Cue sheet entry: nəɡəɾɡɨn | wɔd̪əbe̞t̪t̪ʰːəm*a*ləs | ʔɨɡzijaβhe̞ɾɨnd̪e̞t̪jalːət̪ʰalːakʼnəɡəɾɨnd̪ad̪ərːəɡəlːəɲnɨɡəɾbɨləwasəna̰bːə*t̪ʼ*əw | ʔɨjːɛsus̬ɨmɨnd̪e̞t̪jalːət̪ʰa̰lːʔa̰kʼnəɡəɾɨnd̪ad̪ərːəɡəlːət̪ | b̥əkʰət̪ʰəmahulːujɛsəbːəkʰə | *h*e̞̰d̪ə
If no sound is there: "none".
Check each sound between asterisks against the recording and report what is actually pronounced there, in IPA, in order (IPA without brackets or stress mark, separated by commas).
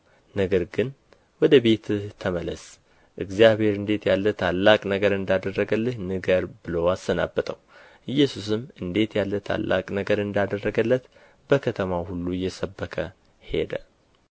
ə, t̪ʼ, h